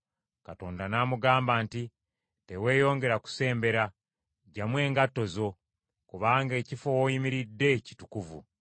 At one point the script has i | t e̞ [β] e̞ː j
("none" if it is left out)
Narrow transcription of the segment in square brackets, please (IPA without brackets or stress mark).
w